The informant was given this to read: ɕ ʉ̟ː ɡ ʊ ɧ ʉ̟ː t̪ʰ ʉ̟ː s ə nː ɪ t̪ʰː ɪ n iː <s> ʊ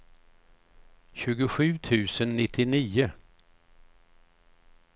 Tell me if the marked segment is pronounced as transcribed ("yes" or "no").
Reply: no